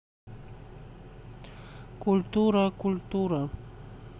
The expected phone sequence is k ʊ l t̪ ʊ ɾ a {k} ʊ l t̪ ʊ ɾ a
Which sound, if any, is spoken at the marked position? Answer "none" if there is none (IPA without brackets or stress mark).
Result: k